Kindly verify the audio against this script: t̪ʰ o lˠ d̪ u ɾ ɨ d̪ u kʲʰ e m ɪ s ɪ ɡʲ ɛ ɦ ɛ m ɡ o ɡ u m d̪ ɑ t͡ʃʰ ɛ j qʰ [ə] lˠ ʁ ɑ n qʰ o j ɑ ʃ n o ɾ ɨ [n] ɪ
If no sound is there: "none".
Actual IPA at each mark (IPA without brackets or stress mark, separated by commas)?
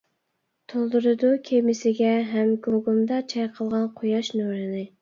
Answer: ə, n